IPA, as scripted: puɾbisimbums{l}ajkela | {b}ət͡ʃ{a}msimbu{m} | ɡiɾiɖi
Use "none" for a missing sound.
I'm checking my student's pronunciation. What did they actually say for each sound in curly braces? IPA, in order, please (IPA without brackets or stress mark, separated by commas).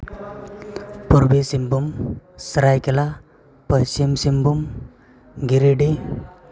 ɾ, p, i, m